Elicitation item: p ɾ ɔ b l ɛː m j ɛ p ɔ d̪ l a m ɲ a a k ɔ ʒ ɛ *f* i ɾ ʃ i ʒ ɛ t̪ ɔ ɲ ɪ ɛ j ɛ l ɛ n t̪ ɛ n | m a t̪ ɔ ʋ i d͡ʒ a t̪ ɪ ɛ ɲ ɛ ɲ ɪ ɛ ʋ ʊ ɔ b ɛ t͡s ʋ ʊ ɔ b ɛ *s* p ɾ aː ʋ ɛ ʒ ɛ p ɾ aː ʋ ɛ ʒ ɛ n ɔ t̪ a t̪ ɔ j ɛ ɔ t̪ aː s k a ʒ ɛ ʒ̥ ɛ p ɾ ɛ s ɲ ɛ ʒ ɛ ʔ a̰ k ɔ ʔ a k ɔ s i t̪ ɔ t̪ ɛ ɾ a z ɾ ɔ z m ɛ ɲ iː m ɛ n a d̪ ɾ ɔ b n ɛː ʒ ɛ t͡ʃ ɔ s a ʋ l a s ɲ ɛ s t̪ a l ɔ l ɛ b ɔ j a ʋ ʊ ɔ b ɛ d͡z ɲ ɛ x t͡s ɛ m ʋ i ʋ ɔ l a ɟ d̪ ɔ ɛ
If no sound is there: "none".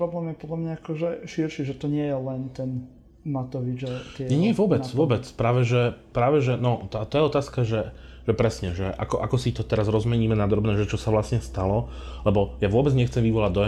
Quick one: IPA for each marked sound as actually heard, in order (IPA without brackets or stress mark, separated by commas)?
ʃ, t͡s